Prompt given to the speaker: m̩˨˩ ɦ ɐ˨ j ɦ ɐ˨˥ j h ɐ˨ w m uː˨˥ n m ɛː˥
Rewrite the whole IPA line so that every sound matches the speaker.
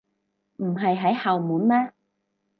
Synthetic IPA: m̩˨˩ ɦ ɐ˨ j ɦ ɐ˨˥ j h ɐ˨ w m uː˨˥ n m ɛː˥